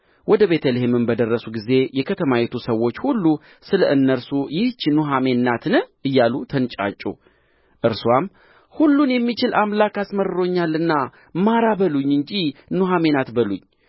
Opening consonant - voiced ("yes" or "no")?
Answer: yes